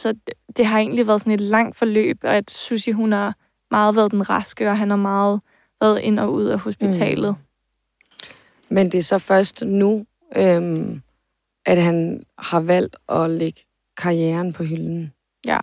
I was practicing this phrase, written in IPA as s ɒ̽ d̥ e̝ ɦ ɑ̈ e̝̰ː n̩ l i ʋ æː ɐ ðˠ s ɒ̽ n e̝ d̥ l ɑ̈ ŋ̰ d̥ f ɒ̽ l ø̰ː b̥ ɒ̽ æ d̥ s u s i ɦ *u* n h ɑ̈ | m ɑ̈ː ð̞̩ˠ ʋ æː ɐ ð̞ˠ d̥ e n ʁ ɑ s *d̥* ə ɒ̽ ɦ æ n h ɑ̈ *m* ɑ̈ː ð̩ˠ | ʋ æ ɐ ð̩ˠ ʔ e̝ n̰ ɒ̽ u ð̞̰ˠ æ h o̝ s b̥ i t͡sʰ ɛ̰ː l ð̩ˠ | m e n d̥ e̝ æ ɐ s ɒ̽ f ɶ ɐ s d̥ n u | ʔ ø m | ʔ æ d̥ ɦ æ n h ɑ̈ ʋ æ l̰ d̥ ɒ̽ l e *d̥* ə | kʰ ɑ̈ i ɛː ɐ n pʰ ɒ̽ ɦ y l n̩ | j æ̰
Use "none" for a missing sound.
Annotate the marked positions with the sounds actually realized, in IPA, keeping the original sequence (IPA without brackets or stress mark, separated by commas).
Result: u, ɡ̥, m, ɡ̥